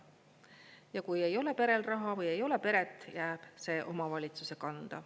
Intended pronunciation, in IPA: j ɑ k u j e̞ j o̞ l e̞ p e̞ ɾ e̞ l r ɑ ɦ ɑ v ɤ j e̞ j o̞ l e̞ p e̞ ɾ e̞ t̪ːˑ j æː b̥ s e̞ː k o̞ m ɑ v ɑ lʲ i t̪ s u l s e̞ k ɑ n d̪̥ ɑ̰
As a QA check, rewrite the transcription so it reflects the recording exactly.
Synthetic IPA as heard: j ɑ k u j e̞ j o̞ l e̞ p e̞ ɾ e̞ l r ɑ ɦ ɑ v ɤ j e̞ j o̞ l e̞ p e̞ ɾ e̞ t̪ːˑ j æː b̥ s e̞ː ʔ o̞ m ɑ v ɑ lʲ i t̪ s u s e̞ k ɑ n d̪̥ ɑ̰